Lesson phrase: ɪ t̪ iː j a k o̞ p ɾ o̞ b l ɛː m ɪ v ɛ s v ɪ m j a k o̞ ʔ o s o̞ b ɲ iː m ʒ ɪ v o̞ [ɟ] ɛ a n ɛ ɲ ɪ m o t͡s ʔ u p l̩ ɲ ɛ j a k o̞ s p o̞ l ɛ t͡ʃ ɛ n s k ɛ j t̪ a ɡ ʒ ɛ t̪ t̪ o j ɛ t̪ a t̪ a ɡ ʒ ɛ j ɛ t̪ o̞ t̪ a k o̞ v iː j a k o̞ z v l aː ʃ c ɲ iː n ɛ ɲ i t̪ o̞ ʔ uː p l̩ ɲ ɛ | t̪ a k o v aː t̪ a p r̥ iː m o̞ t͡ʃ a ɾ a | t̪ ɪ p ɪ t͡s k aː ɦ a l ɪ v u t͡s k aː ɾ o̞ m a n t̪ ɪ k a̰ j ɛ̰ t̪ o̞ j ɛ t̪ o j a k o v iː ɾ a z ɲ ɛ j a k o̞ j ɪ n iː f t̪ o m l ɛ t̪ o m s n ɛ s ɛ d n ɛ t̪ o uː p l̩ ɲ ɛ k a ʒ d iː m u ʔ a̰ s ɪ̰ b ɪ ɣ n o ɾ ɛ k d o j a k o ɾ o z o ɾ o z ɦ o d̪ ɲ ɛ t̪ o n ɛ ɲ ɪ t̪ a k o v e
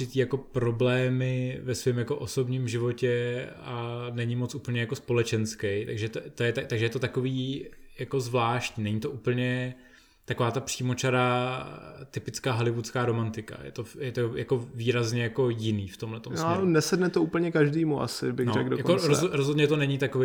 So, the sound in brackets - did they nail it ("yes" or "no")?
no